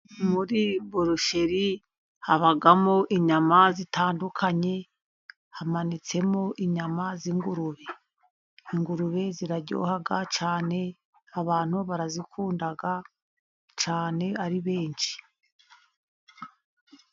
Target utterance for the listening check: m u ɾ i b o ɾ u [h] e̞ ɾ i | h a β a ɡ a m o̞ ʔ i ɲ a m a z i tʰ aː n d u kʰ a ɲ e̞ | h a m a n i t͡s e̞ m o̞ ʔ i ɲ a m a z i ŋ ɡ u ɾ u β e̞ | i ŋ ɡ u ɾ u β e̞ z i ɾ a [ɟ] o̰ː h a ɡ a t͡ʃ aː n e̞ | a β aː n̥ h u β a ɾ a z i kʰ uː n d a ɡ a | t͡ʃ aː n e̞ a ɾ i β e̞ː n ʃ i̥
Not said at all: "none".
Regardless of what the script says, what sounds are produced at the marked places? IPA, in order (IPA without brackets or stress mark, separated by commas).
ʃ, ɟ